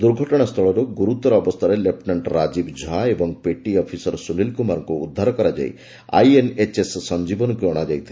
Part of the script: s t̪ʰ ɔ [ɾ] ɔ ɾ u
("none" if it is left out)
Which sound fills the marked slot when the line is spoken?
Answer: ɭ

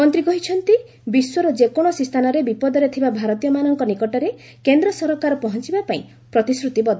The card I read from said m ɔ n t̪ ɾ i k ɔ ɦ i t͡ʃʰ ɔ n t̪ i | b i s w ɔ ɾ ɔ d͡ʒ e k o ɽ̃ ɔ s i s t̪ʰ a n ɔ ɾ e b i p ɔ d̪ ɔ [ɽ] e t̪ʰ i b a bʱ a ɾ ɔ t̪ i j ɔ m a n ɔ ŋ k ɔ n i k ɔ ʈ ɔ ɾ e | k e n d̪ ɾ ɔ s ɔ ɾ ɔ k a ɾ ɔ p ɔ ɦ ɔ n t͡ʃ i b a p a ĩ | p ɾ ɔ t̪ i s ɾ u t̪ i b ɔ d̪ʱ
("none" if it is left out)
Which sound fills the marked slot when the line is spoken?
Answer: ɾ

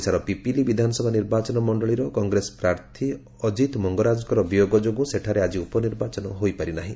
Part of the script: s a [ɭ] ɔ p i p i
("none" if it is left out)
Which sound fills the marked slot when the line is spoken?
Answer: ɾ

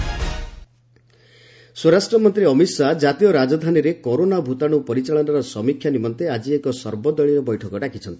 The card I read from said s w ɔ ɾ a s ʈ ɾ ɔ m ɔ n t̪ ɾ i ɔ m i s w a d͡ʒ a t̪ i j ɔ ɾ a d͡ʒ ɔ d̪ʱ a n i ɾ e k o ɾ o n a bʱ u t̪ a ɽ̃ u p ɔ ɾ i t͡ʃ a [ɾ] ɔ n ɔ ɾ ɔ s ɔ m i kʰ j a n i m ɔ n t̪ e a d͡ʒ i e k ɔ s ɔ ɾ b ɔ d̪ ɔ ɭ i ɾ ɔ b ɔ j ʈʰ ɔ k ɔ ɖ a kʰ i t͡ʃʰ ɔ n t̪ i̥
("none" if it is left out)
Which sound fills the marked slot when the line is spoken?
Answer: ɭ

